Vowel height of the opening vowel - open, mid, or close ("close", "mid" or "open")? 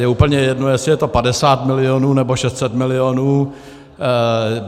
mid